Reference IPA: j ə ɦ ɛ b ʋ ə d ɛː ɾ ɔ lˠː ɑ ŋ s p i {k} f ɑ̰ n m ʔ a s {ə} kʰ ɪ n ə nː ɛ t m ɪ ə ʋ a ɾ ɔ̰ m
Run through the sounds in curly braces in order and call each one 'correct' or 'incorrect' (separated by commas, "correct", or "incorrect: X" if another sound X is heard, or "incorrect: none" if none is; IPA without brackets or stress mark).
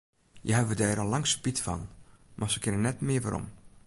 incorrect: t, correct